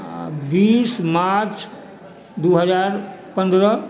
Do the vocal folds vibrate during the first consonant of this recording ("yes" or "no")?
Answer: yes